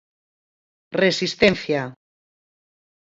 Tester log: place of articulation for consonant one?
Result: alveolar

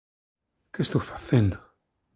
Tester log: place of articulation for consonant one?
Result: velar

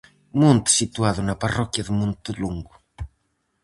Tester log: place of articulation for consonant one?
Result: labial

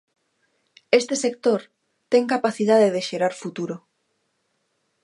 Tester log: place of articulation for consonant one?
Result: alveolar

